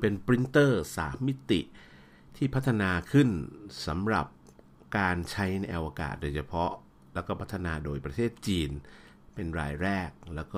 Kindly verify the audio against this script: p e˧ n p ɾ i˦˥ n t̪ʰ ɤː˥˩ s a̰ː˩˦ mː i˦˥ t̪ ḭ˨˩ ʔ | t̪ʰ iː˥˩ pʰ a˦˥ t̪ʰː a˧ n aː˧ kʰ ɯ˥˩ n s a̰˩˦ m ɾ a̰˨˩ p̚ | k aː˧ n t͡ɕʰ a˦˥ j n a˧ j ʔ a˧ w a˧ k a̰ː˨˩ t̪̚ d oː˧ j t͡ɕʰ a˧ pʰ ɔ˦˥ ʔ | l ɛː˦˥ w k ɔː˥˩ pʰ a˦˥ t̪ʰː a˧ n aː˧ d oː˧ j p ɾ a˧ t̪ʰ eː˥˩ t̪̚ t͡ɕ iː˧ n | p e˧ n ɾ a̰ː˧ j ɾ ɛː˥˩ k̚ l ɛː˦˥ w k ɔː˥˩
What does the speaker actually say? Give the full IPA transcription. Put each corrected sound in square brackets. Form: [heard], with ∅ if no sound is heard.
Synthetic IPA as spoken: p e˧ n p ɾ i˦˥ n [t̪] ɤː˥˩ s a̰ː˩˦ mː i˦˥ t̪ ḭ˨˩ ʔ | t̪ʰ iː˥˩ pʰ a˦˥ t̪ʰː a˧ n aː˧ kʰ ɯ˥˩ n s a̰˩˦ m ɾ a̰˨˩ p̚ | k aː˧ n t͡ɕʰ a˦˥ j n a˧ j ʔ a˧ w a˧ k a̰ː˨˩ t̪̚ d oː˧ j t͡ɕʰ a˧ pʰ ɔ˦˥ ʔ | l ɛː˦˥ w k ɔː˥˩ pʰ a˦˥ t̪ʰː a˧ n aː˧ d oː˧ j p ɾ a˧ t̪ʰ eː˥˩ t̪̚ t͡ɕ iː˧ n | p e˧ n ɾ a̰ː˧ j ɾ ɛː˥˩ k̚ l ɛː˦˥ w k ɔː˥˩